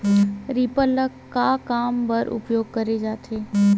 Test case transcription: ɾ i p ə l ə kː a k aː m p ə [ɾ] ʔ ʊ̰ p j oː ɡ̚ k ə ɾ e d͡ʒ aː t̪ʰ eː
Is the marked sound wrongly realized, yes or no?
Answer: no